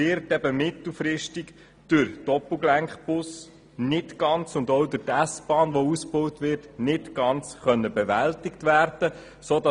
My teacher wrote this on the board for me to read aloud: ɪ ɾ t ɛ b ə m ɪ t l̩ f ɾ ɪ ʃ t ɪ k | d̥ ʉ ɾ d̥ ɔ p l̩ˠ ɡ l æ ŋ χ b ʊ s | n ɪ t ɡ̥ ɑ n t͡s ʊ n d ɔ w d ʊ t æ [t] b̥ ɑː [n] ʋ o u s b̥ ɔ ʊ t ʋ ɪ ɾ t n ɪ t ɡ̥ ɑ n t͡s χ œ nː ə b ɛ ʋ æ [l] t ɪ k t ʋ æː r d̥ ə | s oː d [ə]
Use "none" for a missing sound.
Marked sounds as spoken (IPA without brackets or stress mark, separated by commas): s, n, l, ɑ